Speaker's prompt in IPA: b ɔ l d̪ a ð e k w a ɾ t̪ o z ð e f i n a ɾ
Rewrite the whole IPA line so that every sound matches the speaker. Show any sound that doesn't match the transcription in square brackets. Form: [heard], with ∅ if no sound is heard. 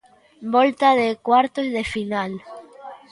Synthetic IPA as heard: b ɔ l [t̪] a ð e k w a ɾ t̪ o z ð e f i n a [l]